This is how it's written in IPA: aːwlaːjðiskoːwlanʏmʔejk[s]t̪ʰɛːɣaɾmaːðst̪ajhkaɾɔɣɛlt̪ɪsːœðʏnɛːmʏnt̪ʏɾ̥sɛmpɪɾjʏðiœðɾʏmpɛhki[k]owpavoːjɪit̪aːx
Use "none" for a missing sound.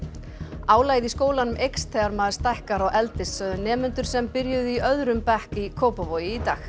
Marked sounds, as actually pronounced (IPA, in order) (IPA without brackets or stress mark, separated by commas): s, kʰ